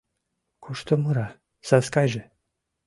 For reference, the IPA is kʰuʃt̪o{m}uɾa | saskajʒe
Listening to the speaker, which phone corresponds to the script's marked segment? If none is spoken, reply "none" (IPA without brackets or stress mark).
m